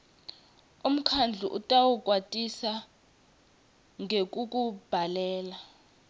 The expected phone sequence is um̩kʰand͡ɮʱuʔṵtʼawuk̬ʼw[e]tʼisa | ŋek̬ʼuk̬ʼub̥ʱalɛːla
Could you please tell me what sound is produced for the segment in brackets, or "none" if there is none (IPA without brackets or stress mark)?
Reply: a